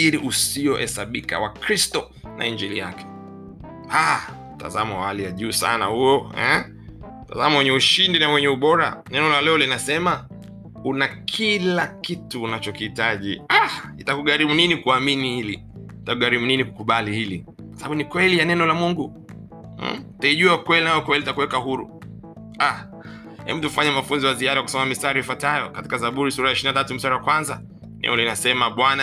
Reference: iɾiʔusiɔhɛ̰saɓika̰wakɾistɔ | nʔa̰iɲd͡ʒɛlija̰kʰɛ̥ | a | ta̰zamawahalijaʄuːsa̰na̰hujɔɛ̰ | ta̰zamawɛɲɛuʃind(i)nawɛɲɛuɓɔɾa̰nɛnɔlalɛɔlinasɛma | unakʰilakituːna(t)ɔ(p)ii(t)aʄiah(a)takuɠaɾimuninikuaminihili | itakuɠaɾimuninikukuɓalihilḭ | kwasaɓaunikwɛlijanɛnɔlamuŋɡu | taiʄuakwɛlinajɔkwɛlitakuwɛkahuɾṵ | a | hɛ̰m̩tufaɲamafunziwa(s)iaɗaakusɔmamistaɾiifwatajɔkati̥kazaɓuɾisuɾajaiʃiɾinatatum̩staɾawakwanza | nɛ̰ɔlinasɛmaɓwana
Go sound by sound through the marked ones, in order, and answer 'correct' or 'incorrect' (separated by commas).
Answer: correct, incorrect, incorrect, correct, incorrect, incorrect